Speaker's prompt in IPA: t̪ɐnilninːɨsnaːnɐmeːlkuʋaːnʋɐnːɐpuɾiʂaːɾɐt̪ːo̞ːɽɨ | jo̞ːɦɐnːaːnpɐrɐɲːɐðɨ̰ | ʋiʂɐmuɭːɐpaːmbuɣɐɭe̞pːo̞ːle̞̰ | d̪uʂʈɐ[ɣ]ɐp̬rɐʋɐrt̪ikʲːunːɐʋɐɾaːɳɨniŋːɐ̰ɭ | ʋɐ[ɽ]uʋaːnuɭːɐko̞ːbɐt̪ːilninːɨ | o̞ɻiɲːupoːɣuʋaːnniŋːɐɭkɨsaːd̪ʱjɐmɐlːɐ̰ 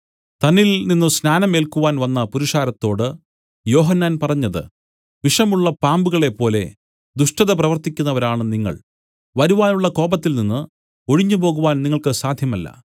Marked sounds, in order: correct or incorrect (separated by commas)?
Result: incorrect, incorrect